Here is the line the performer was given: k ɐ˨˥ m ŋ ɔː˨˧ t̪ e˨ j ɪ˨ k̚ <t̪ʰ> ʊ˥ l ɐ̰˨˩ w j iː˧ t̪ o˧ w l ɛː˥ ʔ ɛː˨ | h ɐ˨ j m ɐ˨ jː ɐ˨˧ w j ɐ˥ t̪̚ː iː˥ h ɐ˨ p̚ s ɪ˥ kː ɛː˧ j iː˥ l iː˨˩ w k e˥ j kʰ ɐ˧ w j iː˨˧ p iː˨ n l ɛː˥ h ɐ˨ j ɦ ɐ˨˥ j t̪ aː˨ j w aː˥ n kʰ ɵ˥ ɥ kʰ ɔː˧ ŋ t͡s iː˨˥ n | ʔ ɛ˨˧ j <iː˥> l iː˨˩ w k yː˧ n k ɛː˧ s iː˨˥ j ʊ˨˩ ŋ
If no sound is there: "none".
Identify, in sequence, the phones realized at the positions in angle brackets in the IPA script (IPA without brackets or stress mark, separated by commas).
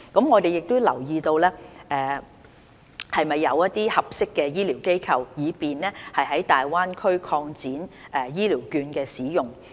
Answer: t̪, iː˥